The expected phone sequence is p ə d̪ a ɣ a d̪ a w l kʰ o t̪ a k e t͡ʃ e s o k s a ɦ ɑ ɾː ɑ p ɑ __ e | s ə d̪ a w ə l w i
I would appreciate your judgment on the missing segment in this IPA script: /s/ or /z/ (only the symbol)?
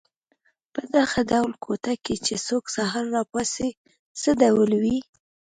s